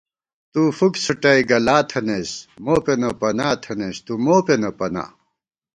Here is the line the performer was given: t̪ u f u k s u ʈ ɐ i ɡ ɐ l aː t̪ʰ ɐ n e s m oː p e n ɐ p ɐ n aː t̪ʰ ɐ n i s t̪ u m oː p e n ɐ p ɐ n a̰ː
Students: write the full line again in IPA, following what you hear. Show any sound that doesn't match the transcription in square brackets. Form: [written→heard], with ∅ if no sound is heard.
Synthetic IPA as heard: t̪ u f u k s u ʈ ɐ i ɡ ɐ l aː t̪ʰ ɐ n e s m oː p e n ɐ p ɐ n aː t̪ʰ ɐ n [i→e] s t̪ u m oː p e n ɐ p ɐ n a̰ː